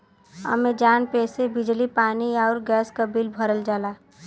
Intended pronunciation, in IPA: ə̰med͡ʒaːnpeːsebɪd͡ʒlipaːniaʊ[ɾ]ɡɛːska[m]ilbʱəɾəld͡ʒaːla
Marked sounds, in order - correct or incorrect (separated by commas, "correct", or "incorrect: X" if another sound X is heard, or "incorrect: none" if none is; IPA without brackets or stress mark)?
correct, incorrect: b